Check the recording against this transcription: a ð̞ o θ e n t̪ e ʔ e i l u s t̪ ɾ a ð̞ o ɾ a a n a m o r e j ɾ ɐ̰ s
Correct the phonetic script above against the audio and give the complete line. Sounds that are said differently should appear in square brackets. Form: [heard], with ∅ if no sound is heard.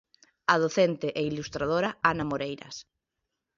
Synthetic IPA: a ð̞ o θ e n t̪ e ʔ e i l u s t̪ ɾ a ð̞ o ɾ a a n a m o [ɾ] e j ɾ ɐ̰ s